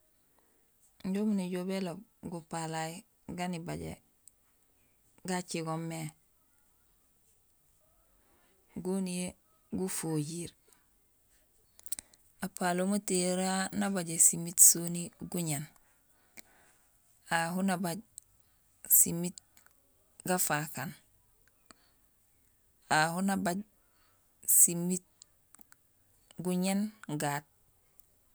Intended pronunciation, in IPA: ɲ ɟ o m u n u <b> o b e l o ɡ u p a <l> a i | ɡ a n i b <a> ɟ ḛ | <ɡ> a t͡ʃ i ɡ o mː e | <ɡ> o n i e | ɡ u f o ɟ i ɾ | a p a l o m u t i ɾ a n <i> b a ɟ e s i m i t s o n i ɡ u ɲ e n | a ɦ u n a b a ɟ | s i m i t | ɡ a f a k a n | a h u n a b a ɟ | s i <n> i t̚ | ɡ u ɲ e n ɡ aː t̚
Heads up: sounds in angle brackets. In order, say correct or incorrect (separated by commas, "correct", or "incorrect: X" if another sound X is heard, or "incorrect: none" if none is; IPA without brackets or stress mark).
incorrect: ɟ, correct, correct, correct, correct, incorrect: a, incorrect: m